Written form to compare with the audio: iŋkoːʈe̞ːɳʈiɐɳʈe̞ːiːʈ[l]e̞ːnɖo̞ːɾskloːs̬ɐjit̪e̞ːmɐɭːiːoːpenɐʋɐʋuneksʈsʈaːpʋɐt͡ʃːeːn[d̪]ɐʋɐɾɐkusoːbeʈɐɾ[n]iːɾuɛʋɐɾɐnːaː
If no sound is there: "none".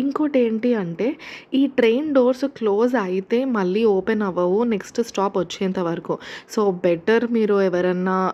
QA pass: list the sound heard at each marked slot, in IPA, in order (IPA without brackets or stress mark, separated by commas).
ɾ, t̪, m